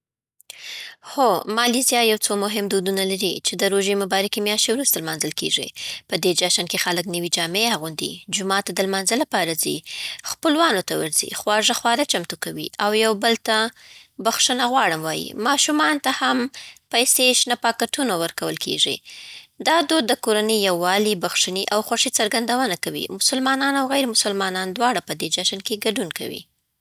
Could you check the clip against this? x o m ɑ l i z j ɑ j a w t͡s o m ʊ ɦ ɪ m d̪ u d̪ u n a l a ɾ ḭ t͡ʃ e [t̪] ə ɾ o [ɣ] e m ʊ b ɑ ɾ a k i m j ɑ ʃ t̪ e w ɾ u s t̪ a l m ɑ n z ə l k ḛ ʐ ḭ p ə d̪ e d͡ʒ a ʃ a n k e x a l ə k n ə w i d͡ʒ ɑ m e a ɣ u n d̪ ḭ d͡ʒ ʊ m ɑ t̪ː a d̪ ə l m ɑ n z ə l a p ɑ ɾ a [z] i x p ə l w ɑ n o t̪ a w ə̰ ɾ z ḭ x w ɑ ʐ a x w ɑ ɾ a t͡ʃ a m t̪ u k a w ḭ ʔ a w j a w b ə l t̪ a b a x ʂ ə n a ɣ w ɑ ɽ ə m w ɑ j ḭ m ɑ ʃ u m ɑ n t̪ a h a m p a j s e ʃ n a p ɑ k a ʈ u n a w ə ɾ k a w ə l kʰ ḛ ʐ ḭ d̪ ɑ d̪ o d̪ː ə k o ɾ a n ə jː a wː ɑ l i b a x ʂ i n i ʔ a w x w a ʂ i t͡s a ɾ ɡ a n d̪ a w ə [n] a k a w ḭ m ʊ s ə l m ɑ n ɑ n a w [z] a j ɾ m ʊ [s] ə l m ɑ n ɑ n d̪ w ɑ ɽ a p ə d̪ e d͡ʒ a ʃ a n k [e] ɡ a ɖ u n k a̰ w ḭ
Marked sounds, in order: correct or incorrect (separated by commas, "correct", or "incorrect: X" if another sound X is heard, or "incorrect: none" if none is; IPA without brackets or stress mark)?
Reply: incorrect: d̪, incorrect: ʒ, correct, correct, incorrect: ɣ, correct, correct